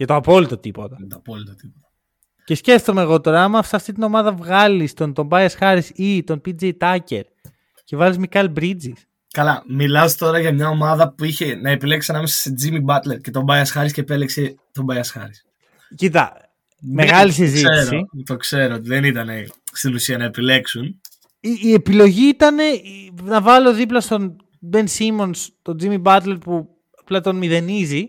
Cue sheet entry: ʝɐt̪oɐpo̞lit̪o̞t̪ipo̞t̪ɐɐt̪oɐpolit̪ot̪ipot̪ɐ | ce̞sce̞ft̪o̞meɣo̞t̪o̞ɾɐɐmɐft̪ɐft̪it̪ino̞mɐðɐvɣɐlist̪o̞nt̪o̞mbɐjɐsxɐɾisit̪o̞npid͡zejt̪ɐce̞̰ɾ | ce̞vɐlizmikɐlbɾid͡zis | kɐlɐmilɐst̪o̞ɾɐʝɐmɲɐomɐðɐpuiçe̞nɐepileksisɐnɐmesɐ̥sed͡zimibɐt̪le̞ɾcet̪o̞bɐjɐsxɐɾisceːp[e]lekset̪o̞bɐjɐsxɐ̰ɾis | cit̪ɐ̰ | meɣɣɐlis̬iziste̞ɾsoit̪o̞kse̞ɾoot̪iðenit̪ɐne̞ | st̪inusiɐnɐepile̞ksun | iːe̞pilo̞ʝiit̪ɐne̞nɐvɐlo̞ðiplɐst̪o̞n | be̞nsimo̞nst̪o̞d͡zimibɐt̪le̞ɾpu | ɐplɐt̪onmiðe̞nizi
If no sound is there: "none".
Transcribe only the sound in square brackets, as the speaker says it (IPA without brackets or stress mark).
e